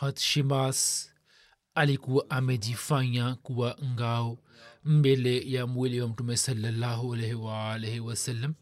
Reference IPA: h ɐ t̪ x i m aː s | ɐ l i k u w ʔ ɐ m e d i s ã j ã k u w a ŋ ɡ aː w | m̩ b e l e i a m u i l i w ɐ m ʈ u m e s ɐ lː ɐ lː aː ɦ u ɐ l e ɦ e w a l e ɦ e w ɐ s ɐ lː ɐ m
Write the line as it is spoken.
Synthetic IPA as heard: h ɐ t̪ ʃ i m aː s | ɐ l i k u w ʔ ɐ m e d i f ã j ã k u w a ŋ ɡ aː w | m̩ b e l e j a m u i l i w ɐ m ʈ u m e s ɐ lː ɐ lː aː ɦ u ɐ l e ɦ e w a l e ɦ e w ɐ s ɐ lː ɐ m